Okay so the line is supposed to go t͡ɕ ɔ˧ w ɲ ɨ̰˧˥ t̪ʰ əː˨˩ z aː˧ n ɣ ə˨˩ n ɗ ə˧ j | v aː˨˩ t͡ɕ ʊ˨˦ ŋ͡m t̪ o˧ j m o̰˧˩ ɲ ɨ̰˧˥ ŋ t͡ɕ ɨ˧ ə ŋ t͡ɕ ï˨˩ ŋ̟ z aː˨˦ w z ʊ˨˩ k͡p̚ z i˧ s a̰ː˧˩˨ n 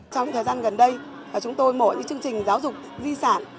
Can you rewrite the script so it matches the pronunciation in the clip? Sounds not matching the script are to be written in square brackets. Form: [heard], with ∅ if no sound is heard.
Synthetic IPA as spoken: t͡ɕ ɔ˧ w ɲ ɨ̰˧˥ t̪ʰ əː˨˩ z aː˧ n ɣ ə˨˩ n ɗ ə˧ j | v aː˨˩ t͡ɕ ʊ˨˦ ŋ͡m t̪ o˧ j m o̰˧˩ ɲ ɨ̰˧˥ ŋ t͡ɕ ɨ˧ ə ŋ t͡ɕ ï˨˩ ŋ̟ z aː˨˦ w z ʊ˨˩ k͡p̚ z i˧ s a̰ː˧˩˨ n